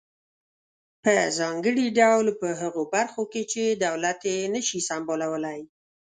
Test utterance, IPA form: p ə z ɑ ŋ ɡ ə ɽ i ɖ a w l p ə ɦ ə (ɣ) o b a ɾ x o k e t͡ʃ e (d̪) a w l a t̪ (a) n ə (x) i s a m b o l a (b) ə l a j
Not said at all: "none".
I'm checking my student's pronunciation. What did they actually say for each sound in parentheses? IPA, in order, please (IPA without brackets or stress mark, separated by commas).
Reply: ɣ, d̪, e, ʃ, w